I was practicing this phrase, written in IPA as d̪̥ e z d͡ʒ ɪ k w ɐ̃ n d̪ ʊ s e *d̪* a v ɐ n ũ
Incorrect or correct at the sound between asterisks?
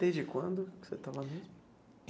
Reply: incorrect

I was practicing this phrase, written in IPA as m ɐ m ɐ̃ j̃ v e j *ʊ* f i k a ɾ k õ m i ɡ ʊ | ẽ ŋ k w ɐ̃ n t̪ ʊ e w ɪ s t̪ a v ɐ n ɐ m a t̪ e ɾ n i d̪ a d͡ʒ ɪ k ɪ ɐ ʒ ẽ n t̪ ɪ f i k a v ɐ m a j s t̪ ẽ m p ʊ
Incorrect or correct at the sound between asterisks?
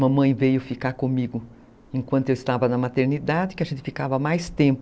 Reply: correct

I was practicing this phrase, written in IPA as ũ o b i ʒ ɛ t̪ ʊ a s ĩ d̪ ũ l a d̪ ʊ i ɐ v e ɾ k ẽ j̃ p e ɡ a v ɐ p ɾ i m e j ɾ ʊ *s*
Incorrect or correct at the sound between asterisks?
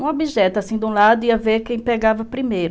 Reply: incorrect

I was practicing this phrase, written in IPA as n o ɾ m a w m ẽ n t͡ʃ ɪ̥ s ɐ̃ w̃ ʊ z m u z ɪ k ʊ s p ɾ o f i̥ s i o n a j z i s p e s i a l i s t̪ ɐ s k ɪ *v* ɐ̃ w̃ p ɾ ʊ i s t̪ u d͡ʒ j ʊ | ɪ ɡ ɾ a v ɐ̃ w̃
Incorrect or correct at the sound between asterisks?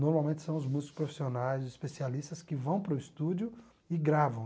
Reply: correct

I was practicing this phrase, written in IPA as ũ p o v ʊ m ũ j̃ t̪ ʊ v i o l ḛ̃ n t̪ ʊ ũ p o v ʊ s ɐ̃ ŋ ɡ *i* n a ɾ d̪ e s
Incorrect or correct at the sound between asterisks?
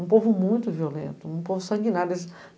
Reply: correct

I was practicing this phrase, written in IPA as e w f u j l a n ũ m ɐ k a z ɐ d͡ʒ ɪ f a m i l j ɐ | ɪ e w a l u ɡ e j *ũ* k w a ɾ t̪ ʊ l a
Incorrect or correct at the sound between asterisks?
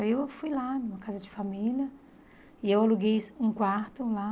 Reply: correct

